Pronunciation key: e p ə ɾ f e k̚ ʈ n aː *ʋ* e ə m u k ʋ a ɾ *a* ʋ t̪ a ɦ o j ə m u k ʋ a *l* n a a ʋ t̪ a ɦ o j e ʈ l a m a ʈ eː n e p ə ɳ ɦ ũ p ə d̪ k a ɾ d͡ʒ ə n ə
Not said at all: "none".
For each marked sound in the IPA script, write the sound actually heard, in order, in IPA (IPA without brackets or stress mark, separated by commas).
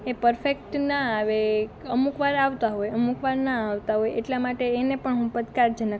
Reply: ʋ, a, ɾ